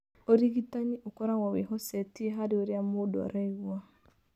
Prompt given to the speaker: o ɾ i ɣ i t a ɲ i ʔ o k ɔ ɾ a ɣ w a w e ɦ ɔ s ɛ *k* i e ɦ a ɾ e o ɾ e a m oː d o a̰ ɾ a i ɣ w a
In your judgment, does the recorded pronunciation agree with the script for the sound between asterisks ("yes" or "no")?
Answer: no